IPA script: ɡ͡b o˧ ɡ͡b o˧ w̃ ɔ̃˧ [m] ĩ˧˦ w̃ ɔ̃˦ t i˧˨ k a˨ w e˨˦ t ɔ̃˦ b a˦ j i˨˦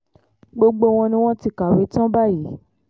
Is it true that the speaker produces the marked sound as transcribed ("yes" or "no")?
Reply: no